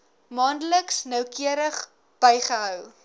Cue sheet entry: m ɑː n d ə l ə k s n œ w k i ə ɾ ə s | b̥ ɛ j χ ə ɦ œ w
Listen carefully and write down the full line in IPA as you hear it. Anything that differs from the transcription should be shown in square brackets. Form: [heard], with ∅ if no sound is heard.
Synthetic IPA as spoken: m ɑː n d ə l ə k s n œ w k i ə ɾ ə [χ] | b̥ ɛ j χ ə ɦ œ w